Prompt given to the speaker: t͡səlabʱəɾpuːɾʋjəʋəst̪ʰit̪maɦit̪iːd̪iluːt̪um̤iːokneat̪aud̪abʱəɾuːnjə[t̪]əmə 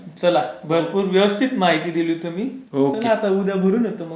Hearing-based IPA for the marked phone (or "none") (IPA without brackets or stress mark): t̪